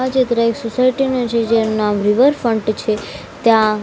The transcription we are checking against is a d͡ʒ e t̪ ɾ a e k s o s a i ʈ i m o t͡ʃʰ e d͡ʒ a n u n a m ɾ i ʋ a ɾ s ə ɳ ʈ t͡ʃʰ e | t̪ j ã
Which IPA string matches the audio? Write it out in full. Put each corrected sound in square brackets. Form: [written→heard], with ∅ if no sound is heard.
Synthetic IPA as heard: a d͡ʒ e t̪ ɾ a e k s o s a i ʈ i [m→n] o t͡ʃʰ e d͡ʒ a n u n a m ɾ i ʋ [a→ə] ɾ [s→f] ə ɳ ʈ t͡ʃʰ e | t̪ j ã

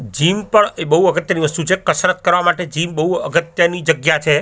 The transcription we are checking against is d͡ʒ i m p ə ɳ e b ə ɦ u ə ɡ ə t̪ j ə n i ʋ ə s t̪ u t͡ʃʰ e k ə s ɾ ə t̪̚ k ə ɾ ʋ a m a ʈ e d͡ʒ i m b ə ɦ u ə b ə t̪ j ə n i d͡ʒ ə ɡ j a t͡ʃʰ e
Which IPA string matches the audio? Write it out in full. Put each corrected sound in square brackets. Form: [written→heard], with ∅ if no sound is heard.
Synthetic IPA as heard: d͡ʒ i m p ə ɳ e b ə ɦ u ə ɡ ə t̪ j ə n i ʋ ə s t̪ u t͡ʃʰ e k ə s ɾ ə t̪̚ k ə ɾ ʋ a m a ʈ e d͡ʒ i m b ə ɦ u ə [b→ɡ] ə t̪ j ə n i d͡ʒ ə ɡ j a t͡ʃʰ e

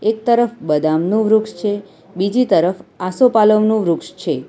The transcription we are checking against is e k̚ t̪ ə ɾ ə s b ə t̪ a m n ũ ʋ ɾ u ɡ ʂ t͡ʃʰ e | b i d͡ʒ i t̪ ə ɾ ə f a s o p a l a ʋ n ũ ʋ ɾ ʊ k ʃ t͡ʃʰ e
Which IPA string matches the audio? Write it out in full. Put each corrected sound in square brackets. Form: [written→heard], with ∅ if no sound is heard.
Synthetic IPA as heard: e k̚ t̪ ə ɾ ə [s→f] b ə [t̪→d̪] a m n ũ ʋ ɾ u [ɡ→k] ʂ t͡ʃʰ e | b i d͡ʒ i t̪ ə ɾ ə f a s o p a l [a→ə] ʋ n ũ ʋ ɾ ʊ k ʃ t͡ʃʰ e

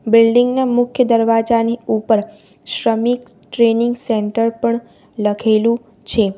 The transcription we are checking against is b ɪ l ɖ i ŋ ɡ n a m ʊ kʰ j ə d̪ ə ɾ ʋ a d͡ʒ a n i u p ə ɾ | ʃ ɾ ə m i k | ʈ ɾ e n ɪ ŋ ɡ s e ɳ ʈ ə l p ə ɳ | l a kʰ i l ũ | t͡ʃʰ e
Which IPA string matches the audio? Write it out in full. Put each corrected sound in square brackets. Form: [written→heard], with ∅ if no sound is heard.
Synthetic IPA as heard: b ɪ l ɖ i ŋ ɡ n a m ʊ kʰ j ə d̪ ə ɾ ʋ a d͡ʒ a n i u p ə ɾ | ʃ ɾ ə m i k | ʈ ɾ e n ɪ ŋ ɡ s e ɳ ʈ ə [l→ɾ] p ə ɳ | l [a→ə] kʰ [i→e] l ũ | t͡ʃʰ e

